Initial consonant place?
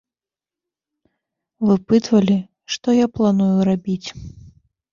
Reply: labial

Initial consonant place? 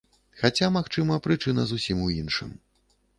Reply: velar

